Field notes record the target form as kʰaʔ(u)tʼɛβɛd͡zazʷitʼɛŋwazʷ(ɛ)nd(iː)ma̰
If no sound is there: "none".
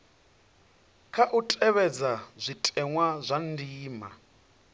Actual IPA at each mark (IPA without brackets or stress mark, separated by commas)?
u, a, iː